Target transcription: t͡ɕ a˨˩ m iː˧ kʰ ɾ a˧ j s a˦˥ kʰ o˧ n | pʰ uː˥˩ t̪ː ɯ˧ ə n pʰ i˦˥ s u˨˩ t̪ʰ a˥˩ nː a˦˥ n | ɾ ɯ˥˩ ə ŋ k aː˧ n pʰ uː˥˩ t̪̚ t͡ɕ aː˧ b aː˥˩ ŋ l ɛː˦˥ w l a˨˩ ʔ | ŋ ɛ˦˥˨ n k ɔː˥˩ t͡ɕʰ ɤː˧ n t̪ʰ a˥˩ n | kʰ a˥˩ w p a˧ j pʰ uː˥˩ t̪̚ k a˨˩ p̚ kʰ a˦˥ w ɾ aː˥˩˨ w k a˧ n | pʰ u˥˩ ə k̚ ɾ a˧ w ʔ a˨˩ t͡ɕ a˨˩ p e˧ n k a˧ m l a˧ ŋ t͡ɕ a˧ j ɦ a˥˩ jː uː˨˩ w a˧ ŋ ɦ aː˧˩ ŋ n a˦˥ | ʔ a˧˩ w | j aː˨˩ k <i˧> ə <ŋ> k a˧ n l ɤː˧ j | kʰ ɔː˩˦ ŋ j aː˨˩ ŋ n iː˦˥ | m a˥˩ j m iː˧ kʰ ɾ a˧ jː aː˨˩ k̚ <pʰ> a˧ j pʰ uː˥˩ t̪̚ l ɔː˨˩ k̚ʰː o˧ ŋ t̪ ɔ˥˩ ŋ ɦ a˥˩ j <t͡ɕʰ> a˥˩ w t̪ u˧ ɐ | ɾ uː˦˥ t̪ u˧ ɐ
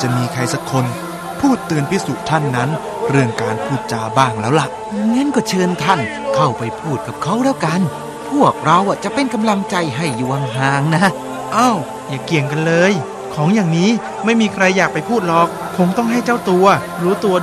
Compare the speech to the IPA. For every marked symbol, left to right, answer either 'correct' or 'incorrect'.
incorrect: i˨˩, correct, incorrect: p, incorrect: t͡ɕ

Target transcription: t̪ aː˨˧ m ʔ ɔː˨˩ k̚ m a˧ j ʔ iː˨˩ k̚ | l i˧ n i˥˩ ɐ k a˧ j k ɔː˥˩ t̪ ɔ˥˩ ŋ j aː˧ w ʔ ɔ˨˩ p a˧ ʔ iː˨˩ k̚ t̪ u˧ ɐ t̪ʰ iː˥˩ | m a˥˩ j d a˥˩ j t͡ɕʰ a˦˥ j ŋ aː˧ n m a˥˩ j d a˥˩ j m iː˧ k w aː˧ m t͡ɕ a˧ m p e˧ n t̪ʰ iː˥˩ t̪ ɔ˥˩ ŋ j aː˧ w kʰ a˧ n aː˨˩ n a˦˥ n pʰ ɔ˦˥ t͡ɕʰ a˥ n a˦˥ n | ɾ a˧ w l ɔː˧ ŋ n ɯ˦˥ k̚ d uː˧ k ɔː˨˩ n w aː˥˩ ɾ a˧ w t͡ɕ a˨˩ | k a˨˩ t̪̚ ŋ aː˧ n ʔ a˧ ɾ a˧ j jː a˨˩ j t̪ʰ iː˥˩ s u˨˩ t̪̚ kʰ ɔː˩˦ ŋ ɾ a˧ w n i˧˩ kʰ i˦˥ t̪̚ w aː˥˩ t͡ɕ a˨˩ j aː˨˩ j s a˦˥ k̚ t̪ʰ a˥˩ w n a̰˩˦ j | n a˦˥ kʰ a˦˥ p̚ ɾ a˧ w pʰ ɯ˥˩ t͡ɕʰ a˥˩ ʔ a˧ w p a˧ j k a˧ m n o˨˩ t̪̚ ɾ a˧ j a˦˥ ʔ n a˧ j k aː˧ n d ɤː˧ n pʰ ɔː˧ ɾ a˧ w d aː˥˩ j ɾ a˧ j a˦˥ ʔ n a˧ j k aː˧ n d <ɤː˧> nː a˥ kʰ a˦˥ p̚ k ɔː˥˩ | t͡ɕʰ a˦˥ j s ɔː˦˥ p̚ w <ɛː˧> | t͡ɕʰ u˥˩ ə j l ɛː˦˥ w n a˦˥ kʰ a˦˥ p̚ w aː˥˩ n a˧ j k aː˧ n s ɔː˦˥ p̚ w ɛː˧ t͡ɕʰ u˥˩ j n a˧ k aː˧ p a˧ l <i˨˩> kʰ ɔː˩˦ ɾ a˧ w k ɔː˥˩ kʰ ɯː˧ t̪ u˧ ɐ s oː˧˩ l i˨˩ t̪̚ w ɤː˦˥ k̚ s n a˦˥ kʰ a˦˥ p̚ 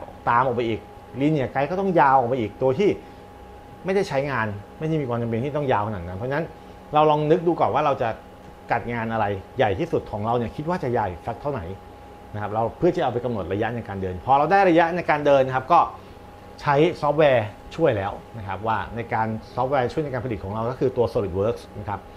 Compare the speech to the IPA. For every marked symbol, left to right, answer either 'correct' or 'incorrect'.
correct, correct, correct

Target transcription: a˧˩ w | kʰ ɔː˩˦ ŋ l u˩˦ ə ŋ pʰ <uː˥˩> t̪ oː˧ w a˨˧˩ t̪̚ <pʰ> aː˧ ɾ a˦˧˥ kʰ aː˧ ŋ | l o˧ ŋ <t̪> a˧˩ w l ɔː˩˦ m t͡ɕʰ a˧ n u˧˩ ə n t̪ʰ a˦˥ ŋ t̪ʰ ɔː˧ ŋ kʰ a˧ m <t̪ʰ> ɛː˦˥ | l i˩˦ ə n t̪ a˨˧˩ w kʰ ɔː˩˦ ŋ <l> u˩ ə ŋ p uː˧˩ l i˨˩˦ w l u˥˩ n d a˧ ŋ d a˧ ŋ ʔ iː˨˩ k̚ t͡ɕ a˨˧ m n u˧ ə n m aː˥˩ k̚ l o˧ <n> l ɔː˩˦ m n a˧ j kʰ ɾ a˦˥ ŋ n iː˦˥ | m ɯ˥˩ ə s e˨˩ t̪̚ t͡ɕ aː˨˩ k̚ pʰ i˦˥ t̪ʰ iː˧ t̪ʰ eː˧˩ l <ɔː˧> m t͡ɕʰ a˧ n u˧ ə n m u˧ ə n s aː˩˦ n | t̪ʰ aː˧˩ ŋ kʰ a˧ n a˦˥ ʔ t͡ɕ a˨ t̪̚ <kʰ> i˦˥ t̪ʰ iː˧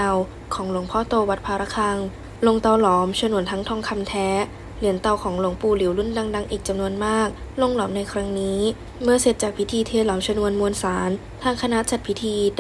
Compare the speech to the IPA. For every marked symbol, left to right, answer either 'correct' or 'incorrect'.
incorrect: ɔː˥˩, correct, correct, correct, correct, incorrect: ŋ, incorrect: ɔː˩˦, incorrect: pʰ

